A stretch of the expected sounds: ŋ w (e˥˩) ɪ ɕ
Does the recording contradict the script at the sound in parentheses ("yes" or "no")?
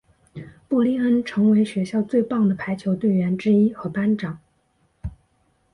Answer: yes